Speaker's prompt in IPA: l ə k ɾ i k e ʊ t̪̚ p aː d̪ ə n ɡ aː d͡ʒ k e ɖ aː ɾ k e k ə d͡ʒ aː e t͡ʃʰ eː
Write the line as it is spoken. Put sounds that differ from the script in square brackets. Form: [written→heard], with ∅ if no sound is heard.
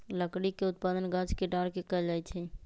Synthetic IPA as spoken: l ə k [ɾ→ɽ] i k e ʊ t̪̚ p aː d̪ ə n ɡ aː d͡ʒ k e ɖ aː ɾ k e k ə d͡ʒ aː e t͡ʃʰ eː